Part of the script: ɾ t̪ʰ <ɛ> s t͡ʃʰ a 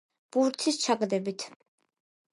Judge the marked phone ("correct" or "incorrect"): incorrect